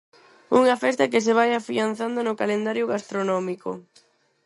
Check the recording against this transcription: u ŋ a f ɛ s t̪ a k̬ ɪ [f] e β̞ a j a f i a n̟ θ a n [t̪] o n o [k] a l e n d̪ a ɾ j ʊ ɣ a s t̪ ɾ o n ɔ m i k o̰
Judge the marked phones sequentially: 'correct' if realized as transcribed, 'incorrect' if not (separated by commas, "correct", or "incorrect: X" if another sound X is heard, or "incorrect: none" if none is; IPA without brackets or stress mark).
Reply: incorrect: s, incorrect: d̪, correct